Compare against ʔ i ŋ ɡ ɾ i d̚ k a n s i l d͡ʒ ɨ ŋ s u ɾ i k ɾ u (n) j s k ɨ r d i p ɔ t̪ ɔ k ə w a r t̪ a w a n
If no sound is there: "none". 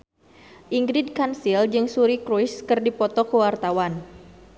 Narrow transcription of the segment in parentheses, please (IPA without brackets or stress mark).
none